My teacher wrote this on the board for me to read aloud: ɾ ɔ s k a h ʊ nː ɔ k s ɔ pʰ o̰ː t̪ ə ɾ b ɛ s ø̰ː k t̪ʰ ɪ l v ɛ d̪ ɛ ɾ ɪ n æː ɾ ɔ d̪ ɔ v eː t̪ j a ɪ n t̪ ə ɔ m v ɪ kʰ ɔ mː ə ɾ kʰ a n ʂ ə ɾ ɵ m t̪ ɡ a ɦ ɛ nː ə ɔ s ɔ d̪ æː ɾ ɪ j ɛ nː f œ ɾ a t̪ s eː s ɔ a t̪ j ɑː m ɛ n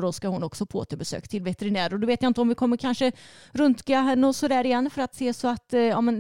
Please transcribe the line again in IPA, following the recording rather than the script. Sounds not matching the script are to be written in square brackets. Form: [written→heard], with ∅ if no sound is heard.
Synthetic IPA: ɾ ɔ s k a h ʊ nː ɔ k s ɔ pʰ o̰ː t̪ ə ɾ b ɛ s ø̰ː k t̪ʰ ɪ l v ɛ [d̪→t̪] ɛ ɾ ɪ n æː ɾ ɔ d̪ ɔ v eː t̪ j a ɪ n t̪ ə ɔ m v ɪ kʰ ɔ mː ə ɾ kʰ a n ʂ ə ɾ ɵ [m→n] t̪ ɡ a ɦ ɛ nː ə ɔ s ɔ d̪ æː ɾ ɪ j ɛ nː f œ ɾ a t̪ s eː s ɔ a t̪ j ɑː m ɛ n